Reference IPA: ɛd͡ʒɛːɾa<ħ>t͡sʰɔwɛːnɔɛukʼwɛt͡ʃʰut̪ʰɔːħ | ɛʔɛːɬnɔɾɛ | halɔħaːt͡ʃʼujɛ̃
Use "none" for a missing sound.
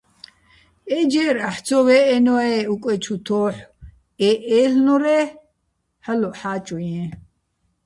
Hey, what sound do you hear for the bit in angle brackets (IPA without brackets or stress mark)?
ħ